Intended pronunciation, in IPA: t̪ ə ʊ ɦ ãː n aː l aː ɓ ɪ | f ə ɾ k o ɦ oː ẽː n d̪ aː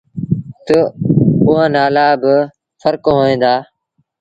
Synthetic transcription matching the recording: t̪ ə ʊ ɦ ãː n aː l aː b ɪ | f ə ɾ k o ɦ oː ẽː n d̪ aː